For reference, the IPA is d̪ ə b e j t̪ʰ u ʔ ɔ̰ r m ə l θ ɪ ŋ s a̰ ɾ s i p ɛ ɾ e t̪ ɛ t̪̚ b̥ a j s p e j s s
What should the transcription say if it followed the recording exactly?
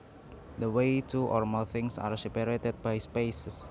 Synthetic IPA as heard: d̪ ə w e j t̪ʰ u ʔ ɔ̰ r m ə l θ ɪ ŋ s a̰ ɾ s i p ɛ ɾ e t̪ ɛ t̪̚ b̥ a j s p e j s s